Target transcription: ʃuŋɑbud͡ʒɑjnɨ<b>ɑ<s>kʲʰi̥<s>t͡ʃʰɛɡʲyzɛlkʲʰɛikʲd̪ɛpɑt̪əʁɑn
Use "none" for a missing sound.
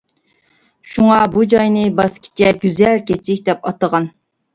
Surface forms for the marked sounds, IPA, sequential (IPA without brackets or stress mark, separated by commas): b, s, none